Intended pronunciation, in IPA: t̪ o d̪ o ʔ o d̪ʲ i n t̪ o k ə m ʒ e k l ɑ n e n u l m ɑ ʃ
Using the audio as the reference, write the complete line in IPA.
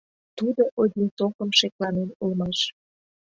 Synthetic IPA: t̪ u d̪ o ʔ o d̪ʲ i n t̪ o k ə m ʃ e k l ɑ n e n u l m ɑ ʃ